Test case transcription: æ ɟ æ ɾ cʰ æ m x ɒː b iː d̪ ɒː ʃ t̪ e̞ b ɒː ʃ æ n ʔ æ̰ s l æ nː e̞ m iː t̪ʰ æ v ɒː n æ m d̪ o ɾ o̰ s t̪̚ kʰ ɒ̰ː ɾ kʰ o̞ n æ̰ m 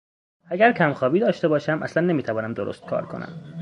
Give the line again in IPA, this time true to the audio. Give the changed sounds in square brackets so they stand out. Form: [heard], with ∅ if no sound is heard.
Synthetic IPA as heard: æ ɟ æ ɾ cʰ æ m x ɒː b iː d̪ ɒː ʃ t̪ e̞ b ɒː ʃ æ [m] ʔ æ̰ s l æ nː e̞ m iː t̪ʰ æ v ɒː n æ m d̪ o ɾ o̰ s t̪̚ kʰ ɒ̰ː ɾ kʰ o̞ n æ̰ m